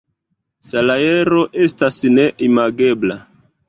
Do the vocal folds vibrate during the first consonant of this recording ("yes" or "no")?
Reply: no